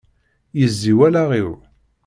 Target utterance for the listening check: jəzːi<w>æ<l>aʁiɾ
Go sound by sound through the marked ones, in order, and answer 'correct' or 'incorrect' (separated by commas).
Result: correct, correct